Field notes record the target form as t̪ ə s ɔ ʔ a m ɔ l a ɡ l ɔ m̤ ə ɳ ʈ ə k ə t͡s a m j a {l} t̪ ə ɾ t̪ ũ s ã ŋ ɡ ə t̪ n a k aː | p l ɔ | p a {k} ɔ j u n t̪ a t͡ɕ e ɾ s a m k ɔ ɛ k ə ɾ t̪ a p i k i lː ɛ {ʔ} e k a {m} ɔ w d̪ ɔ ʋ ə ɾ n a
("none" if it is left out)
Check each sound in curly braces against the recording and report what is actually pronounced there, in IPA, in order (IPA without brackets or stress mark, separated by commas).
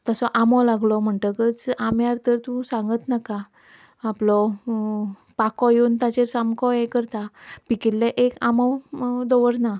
ɾ, k, ʔ, m